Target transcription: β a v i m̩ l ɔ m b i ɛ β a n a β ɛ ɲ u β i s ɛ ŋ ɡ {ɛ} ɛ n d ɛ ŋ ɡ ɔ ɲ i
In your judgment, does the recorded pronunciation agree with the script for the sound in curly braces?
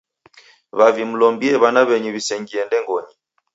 no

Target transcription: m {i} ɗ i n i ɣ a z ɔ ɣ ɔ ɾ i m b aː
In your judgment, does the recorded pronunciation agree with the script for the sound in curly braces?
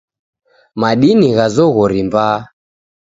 no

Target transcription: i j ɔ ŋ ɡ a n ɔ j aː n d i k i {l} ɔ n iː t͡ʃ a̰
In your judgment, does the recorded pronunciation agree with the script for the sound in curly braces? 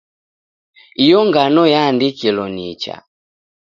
yes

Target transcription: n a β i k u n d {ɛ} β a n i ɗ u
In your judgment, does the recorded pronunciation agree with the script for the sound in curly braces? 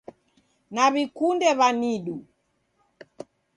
yes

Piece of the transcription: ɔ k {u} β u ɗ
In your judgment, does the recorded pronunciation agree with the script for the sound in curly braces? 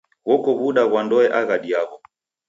no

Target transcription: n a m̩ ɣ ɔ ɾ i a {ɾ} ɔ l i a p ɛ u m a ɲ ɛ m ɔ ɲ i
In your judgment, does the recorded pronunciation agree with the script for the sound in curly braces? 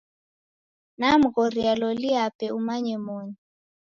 no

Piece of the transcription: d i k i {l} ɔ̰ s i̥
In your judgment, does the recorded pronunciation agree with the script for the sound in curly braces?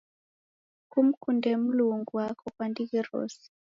no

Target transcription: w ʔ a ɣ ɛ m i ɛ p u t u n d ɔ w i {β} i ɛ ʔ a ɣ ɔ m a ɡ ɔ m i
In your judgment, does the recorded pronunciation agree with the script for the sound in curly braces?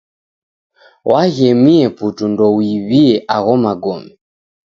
yes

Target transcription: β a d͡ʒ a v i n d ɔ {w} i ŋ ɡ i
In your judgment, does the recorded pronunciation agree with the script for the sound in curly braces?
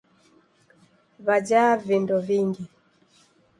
no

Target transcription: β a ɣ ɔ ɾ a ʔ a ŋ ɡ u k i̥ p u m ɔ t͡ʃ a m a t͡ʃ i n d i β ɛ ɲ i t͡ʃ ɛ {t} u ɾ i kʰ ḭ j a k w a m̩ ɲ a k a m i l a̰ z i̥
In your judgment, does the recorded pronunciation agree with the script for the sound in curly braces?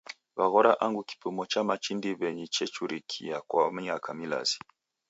no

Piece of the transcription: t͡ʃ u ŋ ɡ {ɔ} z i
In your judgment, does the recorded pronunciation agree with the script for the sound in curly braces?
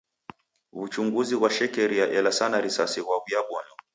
no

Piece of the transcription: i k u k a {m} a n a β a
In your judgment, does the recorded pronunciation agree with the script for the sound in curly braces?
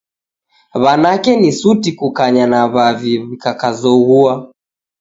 no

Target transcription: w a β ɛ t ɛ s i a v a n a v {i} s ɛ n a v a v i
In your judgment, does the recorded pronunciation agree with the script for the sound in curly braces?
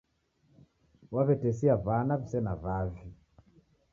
yes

